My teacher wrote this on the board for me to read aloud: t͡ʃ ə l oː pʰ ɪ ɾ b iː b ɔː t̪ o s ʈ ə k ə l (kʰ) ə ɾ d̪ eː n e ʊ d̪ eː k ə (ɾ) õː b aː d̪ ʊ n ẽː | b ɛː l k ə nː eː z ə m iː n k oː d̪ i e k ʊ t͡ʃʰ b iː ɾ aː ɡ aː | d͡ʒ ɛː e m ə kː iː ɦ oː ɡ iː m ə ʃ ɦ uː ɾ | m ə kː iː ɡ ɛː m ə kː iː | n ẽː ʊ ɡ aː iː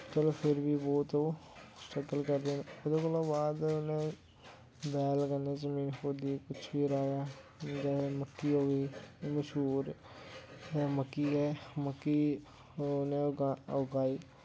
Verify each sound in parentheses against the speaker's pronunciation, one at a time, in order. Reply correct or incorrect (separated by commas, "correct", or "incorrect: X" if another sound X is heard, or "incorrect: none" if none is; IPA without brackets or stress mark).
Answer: incorrect: k, incorrect: l